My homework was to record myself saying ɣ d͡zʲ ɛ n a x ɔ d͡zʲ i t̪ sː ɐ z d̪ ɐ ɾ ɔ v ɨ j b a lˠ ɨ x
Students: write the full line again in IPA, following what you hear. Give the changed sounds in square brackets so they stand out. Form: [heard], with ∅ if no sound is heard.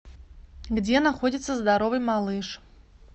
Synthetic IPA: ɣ d͡zʲ ɛ n a x ɔ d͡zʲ i t̪ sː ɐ z d̪ [a] ɾ ɔ v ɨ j [m] a lˠ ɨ [ʂ]